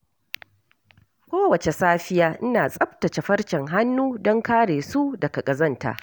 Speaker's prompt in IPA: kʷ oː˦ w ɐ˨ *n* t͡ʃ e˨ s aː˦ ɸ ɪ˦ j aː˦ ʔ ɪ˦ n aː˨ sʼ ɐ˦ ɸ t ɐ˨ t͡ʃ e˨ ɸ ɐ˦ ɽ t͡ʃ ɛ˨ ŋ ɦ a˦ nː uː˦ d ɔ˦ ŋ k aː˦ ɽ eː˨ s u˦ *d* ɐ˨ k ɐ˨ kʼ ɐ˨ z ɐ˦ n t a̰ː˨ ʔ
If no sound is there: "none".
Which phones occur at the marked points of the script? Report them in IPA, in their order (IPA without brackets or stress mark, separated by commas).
none, d